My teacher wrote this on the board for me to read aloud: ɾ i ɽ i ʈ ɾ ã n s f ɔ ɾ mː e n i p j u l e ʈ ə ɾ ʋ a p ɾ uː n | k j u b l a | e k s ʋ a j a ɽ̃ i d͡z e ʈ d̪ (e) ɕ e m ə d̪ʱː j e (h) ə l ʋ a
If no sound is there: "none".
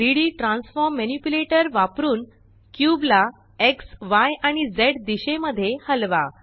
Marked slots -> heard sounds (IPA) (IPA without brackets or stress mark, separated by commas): i, h